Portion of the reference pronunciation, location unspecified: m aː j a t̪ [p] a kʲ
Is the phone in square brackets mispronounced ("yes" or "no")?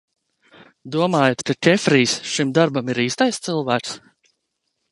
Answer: yes